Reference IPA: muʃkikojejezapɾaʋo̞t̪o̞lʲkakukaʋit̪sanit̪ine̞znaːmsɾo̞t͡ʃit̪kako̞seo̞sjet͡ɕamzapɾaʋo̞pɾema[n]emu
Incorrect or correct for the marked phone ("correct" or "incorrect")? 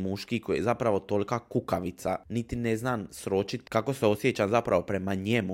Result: incorrect